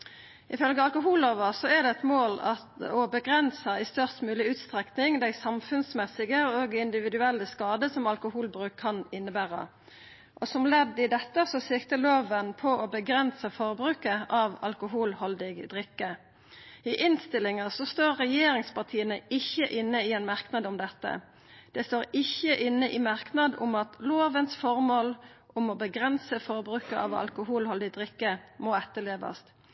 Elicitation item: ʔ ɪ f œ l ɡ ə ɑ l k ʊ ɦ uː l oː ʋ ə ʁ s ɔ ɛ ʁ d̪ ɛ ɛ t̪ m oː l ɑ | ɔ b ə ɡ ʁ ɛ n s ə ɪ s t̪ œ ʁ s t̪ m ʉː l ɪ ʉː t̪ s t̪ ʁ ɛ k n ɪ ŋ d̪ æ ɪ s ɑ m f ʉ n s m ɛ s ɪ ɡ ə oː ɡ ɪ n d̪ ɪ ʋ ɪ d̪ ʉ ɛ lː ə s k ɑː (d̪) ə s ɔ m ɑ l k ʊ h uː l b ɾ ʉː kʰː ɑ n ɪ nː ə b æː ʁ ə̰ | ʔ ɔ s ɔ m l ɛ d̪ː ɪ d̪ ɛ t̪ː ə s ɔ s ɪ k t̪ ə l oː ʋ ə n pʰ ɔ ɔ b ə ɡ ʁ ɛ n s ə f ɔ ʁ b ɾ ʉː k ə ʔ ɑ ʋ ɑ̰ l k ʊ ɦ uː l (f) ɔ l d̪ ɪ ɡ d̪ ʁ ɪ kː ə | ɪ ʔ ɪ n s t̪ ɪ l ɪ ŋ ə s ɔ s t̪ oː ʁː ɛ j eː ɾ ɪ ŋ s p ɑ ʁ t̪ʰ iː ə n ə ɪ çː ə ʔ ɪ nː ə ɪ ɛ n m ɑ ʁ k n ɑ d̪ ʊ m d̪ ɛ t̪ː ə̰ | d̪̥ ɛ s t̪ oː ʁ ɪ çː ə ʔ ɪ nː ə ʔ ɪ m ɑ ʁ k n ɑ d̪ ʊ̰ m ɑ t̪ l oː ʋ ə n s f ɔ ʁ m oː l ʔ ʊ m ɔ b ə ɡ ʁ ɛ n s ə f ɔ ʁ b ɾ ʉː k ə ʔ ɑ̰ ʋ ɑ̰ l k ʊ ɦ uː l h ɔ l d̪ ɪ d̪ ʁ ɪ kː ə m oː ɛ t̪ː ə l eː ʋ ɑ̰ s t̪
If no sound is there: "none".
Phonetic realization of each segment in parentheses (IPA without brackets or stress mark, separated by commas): d̪, h